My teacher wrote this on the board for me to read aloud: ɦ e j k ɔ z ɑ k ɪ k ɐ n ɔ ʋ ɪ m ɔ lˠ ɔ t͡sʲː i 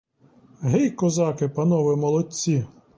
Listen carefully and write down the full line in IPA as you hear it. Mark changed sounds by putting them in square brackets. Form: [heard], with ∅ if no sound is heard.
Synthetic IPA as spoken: ɦ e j k ɔ z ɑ k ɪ [p] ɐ n ɔ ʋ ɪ m ɔ lˠ ɔ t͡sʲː i